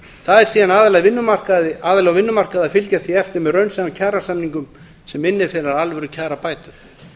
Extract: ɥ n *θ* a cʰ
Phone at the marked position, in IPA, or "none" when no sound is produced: s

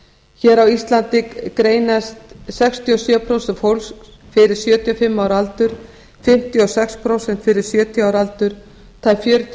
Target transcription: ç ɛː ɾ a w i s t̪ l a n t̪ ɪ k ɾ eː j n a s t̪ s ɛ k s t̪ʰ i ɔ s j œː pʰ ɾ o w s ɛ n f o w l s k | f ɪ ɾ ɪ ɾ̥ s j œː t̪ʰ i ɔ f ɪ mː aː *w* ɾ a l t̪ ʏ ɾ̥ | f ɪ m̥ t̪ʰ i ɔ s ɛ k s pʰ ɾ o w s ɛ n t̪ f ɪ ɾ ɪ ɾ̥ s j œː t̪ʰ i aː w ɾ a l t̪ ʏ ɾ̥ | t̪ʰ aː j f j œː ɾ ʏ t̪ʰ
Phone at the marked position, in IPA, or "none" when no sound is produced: w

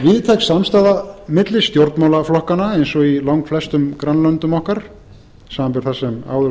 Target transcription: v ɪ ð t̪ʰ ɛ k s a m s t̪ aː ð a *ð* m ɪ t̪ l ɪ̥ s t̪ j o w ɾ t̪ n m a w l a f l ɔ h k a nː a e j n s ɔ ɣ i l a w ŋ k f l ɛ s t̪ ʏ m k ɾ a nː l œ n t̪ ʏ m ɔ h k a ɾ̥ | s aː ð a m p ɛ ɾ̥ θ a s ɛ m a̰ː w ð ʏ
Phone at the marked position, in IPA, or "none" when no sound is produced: none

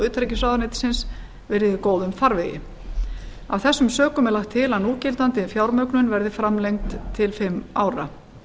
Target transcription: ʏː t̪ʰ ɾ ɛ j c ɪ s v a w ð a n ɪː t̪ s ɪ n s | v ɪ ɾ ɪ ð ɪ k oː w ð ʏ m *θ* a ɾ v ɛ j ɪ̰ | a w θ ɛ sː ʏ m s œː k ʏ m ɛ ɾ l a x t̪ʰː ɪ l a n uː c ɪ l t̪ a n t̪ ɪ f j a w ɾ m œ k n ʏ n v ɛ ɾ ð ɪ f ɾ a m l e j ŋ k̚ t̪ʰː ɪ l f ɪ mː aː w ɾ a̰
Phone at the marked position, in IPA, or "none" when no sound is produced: f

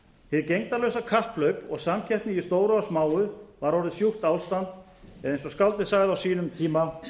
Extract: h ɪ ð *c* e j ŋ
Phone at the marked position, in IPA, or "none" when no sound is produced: c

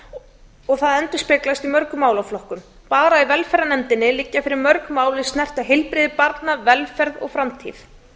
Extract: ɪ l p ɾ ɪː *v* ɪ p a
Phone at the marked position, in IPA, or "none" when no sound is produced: ð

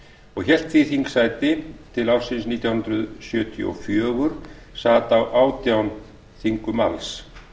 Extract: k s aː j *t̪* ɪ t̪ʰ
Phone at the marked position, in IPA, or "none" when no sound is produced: t̪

